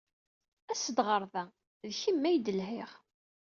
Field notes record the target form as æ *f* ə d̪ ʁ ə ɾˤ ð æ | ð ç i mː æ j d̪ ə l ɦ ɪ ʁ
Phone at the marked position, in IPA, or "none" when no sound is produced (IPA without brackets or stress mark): s